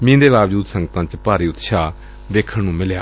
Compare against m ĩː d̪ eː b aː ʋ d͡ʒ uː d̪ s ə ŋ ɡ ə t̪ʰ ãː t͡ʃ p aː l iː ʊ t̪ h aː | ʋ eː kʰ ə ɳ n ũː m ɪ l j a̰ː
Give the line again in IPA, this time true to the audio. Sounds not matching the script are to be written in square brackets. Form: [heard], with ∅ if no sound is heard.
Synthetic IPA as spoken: m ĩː d̪ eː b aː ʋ d͡ʒ uː d̪ s ə ŋ ɡ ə [t̪] ãː t͡ʃ p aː [ɾ] iː ʊ t̪ [ʃ] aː | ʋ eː kʰ ə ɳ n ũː m ɪ l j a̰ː